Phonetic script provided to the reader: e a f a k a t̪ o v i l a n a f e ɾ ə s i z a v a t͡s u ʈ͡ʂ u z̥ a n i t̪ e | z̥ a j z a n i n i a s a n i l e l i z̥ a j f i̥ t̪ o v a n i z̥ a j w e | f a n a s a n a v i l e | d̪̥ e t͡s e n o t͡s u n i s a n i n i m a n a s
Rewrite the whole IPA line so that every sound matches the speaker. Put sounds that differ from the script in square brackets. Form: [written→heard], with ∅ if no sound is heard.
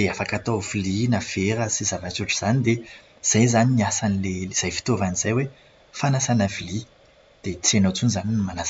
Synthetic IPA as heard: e a f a k a t̪ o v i l [a→i] n a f e ɾ ə s i z a v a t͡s u ʈ͡ʂ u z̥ a n i [t̪→d̪] e | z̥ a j z a n i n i a s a n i l e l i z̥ a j f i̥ t̪ o v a n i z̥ a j w e | f a n a s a n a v i l [e→i] | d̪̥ e t͡s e n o t͡s u n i [s→z] a n i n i m a n a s